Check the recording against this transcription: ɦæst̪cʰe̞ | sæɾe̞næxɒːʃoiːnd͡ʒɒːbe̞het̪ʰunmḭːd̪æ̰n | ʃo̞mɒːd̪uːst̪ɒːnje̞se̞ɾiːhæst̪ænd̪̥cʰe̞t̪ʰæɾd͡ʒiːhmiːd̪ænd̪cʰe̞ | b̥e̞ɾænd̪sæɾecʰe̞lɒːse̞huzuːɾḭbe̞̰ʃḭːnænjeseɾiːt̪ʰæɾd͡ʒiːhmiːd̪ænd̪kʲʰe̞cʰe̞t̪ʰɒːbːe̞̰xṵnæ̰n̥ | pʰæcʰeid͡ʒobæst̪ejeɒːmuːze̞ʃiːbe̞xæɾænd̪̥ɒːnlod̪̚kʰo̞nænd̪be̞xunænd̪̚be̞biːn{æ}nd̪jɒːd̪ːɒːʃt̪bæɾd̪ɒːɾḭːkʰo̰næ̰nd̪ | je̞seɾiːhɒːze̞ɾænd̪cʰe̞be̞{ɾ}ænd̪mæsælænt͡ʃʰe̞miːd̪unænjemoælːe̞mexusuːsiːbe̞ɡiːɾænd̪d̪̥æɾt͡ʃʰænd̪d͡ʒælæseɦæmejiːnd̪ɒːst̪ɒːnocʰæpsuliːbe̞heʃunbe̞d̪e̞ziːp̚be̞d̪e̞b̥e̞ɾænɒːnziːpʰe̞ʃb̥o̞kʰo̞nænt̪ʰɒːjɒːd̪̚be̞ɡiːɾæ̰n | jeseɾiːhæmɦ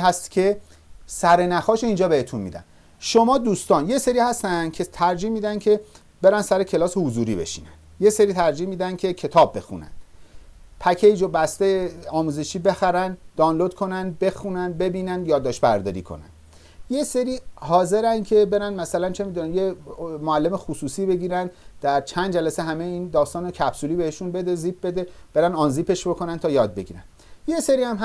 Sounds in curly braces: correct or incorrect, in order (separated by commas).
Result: correct, correct